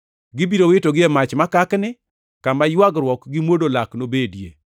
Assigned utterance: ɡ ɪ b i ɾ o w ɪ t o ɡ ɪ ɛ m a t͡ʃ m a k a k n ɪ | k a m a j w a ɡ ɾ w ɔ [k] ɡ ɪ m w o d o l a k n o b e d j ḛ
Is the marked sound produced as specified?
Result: yes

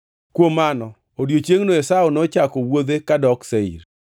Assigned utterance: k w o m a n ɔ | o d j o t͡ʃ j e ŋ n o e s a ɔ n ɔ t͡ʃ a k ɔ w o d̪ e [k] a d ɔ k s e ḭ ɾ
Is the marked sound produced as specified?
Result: yes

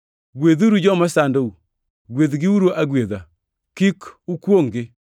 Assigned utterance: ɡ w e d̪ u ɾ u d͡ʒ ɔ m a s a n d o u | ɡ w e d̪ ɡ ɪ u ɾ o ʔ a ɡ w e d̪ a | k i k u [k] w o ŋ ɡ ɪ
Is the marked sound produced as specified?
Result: yes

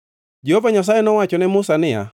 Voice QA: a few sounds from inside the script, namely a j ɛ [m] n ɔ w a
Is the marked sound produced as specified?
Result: no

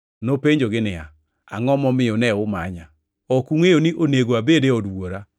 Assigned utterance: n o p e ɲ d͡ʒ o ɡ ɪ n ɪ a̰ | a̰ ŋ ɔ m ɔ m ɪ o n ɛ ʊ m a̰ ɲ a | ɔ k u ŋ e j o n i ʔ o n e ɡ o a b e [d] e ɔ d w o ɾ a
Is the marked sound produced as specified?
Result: yes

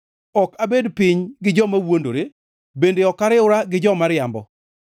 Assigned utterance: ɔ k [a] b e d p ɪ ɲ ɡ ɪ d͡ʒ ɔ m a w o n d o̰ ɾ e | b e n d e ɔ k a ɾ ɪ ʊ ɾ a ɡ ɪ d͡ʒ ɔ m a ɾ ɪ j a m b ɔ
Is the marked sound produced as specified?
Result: yes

